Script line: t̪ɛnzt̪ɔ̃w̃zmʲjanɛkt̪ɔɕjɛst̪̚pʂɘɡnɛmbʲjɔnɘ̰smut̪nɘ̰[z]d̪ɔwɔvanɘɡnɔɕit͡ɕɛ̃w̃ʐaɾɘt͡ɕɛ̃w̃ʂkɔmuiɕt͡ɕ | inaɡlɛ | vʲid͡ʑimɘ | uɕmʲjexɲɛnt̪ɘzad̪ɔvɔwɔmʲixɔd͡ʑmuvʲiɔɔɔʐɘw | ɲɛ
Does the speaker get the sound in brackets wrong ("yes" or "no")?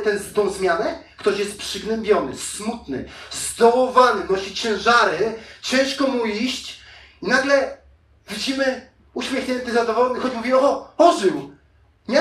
no